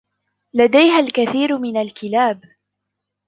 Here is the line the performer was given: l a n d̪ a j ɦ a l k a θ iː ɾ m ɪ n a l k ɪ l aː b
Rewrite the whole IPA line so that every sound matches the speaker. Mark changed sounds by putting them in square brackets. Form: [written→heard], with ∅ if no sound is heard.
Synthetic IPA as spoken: l a [n→∅] d̪ a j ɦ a l k a θ iː ɾ m ɪ n a l k ɪ l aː b